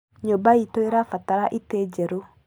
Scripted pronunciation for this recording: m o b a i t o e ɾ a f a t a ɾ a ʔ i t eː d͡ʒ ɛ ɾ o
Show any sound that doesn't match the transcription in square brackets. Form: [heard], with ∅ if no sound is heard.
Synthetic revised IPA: [ɲ] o b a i t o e ɾ a f a t a ɾ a ʔ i t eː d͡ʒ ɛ ɾ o

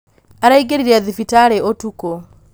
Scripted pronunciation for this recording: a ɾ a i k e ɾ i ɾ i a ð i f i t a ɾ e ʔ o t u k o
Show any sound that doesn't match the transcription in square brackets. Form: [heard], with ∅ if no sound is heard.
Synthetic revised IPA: a ɾ a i [ɡ] e ɾ i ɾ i a ð i f i t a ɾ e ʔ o t u k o

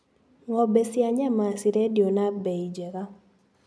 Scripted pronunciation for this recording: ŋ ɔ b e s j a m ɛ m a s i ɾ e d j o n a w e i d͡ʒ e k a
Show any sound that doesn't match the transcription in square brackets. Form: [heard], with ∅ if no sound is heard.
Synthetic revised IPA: ŋ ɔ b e s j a [ɲ] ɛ m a s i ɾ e d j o n a [b] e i d͡ʒ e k a

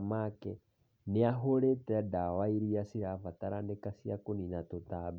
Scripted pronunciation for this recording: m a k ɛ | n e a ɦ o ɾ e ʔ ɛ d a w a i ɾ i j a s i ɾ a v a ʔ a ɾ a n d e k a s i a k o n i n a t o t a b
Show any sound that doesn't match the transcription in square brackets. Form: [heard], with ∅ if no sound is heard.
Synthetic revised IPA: m a k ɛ | n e a ɦ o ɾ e [t] ɛ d a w a i ɾ i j a s i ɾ a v a [t] a ɾ a n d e k a s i a k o n i n a t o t a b

